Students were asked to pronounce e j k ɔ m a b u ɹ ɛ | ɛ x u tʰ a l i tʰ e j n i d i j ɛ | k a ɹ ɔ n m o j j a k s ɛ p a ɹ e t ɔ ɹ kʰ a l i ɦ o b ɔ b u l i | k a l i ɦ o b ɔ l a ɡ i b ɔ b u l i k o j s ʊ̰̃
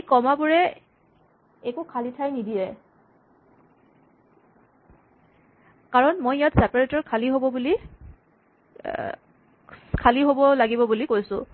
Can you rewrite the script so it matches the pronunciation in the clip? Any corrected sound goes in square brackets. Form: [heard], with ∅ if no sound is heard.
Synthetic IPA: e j k ɔ m a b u ɹ ɛ | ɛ [k] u [kʰ] a l i tʰ [a] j n i d i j ɛ | k a ɹ ɔ n m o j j a [t] s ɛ p a ɹ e t ɔ ɹ kʰ a l i ɦ o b ɔ b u l i | [kʰ] a l i ɦ o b ɔ l a ɡ i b ɔ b u l i k o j s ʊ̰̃